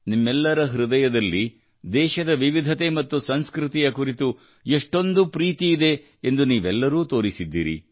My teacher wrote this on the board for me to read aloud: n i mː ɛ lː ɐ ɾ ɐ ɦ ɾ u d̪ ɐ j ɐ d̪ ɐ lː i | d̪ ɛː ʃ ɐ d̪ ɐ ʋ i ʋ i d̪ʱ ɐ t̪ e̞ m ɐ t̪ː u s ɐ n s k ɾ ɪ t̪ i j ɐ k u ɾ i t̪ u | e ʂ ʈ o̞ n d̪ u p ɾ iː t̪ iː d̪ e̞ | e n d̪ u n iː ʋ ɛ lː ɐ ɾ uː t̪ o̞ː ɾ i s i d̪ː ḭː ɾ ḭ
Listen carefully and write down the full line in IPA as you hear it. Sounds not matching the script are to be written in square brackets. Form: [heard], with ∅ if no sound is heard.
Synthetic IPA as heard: n i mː ɛ lː ɐ ɾ ɐ ɦ ɾ u d̪ ɐ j ɐ d̪ ɐ lː i | d̪ ɛː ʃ ɐ d̪ ɐ ʋ i ʋ i d̪ʱ ɐ t̪ e̞ m ɐ t̪ː u s ɐ n s k ɾ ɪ t̪ i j ɐ k u ɾ i t̪ u | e ʂ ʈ o̞ n d̪ u p ɾ iː t̪ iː d̪ e̞ | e n d̪ u n iː ʋ ɛ lː ɐ ɾ uː t̪ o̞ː ɾ i s i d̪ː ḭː ɾ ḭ